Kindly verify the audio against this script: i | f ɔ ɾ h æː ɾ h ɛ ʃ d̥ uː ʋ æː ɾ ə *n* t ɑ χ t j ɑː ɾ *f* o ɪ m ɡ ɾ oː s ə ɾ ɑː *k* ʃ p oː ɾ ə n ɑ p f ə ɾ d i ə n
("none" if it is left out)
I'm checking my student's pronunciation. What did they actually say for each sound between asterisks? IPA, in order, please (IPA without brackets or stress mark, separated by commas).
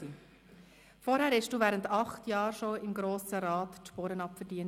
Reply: n, ʃ, t